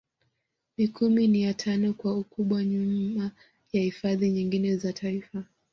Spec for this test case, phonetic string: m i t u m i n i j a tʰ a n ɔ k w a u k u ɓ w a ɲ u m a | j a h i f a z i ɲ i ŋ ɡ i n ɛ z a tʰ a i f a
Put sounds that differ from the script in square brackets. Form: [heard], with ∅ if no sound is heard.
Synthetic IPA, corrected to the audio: m i [k] u m i n i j a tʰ a n ɔ k w a u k u ɓ w a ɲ u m a | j a h i f a [ð] i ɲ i ŋ ɡ i n ɛ z a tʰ a i f a